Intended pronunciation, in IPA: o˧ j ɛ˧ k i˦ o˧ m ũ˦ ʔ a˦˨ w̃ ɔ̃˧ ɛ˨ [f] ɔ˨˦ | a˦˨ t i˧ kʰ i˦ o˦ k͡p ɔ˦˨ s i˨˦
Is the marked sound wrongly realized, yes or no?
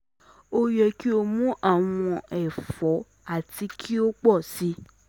no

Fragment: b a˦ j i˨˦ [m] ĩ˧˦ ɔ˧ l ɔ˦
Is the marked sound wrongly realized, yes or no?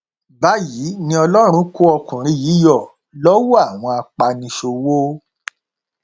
yes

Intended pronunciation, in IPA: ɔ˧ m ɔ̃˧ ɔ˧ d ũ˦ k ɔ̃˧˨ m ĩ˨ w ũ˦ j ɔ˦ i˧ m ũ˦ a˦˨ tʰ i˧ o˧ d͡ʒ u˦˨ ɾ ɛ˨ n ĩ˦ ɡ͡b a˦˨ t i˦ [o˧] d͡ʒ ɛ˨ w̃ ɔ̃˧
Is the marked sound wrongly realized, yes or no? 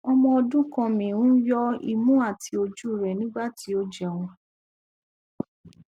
no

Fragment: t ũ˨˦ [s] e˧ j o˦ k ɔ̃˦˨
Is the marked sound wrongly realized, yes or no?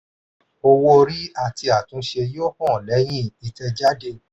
yes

